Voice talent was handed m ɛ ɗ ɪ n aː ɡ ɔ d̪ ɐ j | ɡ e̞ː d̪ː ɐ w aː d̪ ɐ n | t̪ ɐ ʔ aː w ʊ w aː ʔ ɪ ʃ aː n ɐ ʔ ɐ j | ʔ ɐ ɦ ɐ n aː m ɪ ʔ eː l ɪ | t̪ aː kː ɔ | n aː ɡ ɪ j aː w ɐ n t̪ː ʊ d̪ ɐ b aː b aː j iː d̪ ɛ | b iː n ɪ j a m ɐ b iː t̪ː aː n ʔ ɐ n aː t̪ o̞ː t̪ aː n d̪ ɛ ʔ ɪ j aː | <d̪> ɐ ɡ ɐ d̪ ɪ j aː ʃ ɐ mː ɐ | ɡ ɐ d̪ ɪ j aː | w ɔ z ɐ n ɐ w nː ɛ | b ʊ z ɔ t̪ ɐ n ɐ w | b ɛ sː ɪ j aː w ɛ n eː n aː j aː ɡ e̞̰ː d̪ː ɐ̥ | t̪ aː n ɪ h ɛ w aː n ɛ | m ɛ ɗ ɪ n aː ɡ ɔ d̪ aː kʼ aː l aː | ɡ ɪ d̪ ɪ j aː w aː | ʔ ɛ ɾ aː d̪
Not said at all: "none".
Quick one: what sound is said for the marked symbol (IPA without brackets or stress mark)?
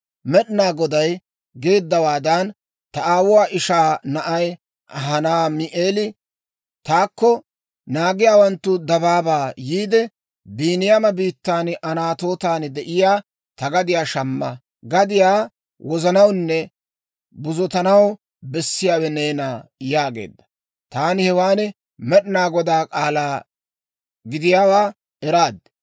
t̪